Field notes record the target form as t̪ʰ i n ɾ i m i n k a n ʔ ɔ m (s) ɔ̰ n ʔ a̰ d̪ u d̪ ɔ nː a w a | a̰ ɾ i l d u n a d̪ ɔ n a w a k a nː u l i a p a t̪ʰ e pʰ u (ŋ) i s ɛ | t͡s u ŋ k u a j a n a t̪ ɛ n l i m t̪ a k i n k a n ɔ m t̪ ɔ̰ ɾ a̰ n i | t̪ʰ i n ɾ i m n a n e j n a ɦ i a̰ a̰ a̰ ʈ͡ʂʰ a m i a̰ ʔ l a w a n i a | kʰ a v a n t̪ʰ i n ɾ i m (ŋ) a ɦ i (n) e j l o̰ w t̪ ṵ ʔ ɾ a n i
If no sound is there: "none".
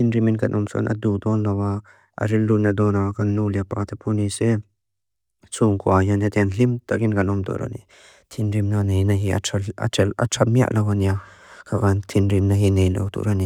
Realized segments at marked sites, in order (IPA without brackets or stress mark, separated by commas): s, n, n, n